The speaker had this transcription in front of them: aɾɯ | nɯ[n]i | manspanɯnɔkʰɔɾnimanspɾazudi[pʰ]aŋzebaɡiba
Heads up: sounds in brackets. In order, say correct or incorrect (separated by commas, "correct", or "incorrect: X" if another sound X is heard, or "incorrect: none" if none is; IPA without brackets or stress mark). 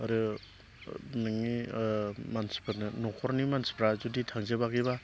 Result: incorrect: ŋ, incorrect: tʰ